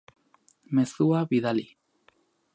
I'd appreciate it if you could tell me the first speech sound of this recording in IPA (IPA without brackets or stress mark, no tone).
m